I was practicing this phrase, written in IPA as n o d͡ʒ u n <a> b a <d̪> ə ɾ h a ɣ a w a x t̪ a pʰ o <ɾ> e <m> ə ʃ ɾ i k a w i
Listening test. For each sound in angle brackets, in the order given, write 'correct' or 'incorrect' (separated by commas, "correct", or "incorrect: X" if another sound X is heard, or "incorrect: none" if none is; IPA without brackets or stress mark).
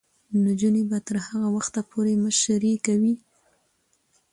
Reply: incorrect: e, incorrect: t̪, correct, correct